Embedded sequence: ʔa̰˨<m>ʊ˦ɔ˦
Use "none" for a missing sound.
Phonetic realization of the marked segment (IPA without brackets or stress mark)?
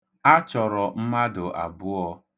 b